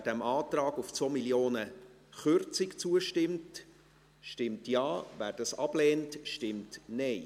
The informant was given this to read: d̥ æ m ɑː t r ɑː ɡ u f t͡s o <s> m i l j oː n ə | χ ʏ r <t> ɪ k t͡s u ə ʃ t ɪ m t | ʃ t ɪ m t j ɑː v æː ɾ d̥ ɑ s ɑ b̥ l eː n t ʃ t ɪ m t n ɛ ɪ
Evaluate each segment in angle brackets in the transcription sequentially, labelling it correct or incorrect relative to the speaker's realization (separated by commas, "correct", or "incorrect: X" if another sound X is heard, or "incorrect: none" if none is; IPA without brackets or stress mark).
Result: incorrect: none, incorrect: t͡s